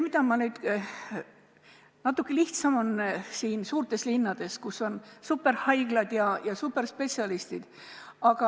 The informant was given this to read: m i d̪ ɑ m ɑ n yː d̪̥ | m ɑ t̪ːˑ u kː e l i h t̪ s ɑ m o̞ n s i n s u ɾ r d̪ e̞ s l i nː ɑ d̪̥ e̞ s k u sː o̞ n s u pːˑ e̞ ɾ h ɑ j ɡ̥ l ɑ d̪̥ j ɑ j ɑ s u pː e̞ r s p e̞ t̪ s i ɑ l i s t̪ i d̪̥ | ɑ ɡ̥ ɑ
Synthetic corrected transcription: m i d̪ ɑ m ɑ n yː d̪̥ | n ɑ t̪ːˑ u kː e l i h t̪ s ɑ m o̞ n s iː n s uː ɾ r t̪ e̞ s l i nː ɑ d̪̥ e̞ s k u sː o̞ n s u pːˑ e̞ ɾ h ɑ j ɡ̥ l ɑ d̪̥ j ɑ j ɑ s u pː e̞ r s p e̞ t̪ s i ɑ l i s t̪ i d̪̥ | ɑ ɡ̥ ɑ